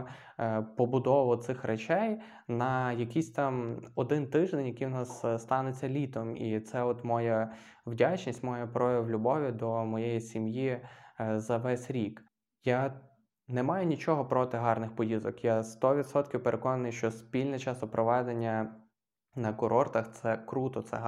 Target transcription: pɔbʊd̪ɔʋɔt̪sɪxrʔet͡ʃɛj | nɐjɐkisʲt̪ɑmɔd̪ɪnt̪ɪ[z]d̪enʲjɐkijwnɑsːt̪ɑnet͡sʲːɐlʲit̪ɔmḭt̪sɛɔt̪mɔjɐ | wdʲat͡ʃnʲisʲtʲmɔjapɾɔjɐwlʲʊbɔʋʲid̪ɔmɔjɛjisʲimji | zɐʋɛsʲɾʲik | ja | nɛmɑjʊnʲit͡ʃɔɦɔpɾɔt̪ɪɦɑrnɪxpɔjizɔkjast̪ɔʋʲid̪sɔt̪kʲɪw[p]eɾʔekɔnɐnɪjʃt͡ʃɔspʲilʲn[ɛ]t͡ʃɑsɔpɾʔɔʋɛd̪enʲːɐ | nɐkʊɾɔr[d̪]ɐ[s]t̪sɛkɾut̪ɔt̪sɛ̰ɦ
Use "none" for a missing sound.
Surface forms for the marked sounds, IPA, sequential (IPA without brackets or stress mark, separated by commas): ʒ, p, ɛ, t̪, x